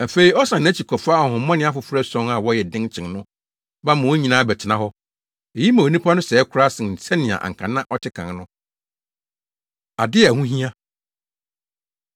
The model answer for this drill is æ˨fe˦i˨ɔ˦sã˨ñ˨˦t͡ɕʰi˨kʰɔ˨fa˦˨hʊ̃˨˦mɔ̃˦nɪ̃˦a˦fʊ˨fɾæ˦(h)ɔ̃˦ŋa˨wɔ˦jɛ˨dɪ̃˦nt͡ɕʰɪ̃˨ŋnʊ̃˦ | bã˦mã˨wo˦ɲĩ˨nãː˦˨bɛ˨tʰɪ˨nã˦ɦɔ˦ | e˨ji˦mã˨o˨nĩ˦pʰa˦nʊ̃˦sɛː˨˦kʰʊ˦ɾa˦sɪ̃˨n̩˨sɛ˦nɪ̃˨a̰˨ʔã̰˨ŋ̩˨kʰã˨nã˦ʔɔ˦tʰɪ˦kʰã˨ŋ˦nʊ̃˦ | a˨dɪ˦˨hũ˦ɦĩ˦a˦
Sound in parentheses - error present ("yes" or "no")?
yes